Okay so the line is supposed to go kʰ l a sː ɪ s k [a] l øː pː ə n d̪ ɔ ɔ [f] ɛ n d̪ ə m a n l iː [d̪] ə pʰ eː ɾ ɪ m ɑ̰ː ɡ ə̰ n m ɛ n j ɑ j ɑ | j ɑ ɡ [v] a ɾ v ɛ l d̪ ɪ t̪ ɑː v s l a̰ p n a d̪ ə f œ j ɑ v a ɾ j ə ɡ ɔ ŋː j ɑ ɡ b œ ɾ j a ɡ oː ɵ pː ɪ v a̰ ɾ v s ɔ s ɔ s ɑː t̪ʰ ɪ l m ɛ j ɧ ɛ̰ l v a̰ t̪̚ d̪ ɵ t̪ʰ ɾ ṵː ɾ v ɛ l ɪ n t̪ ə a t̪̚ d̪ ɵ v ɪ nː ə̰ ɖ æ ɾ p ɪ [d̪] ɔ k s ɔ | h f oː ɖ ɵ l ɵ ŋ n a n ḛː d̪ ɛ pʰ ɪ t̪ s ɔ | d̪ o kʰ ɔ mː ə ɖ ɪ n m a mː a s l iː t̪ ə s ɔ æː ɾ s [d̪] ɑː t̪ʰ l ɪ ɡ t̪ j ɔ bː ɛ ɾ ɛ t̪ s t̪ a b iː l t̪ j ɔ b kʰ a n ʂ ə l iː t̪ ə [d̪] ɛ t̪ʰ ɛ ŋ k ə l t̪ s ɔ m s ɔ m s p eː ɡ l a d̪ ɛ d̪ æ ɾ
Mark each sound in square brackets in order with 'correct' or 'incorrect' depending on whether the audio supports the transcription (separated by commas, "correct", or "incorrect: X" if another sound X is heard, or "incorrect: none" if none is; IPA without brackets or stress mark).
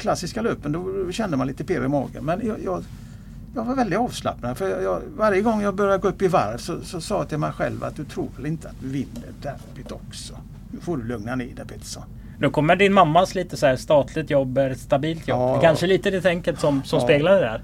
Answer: correct, incorrect: ɕ, incorrect: t̪, correct, incorrect: t̪, incorrect: t̪, correct